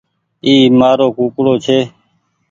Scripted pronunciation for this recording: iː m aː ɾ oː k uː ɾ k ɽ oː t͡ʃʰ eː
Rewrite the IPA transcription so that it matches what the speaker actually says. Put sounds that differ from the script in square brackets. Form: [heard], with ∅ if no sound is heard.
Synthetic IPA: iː m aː ɾ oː k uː [∅] k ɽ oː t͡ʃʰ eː